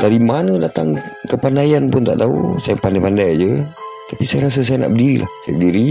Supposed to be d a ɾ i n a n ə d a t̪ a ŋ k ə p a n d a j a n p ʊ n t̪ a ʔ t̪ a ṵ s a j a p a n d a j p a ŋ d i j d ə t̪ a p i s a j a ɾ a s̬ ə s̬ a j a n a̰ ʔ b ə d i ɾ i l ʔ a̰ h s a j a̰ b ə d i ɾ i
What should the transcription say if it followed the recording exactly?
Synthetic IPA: d a ɾ i m a n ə d a t̪ a ŋ k ə p a n d a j a n p ʊ n t̪ a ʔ t̪ a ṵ s a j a p a n d a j p a n d a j d͡ʒ ə t̪ a p i s a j a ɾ a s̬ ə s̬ a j a n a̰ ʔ b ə d i ɾ i l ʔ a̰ h s a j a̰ b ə d i ɾ i